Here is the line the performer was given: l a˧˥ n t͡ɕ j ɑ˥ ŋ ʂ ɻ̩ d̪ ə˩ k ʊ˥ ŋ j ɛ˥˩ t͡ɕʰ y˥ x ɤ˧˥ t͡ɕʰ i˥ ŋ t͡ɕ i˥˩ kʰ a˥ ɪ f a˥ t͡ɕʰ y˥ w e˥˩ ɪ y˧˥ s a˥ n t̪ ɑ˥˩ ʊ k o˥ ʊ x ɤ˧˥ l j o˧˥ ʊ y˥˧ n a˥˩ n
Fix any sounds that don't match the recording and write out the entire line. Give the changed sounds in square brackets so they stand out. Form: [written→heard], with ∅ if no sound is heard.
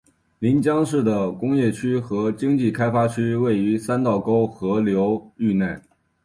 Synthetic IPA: l [a˧˥→i˧˥] n t͡ɕ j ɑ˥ ŋ ʂ ɻ̩ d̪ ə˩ k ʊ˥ ŋ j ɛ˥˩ t͡ɕʰ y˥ x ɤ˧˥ [t͡ɕʰ→t͡ɕ] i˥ ŋ t͡ɕ i˥˩ kʰ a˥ ɪ f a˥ t͡ɕʰ y˥ w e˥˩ ɪ y˧˥ s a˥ n t̪ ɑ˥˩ ʊ k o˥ ʊ x ɤ˧˥ l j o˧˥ ʊ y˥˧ n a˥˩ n